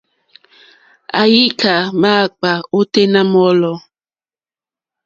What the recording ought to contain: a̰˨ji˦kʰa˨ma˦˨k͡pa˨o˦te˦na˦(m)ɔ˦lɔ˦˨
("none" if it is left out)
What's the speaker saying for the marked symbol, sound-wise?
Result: m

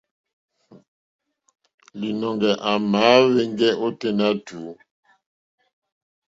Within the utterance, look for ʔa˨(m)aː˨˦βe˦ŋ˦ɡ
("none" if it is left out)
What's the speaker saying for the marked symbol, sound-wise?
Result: m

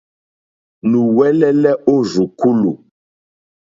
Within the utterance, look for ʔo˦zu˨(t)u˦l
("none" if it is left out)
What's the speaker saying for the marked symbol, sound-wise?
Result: k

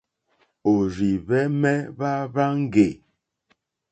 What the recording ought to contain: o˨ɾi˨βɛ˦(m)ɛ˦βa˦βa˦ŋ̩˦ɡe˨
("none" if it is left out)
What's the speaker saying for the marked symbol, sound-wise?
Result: m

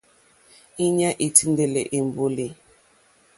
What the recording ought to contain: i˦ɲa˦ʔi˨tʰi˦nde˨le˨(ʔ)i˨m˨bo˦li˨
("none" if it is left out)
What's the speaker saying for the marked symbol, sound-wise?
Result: ʔ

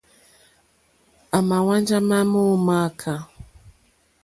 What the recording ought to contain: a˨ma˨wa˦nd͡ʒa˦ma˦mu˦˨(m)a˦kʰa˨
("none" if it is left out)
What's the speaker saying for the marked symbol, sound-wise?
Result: m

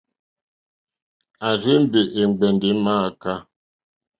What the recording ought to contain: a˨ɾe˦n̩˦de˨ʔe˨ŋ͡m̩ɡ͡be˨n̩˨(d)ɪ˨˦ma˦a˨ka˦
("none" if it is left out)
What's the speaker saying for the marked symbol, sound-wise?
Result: d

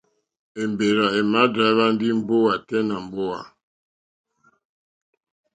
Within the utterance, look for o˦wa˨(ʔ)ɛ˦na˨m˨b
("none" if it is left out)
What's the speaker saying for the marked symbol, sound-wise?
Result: t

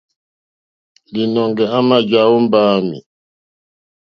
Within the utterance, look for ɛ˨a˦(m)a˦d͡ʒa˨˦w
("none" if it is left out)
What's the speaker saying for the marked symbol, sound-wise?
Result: m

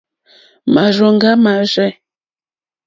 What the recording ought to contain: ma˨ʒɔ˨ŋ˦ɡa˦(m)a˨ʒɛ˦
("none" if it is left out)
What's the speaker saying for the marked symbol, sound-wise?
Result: m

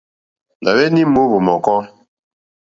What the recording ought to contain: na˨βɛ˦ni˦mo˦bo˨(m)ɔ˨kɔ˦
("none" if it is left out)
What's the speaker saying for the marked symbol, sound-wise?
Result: m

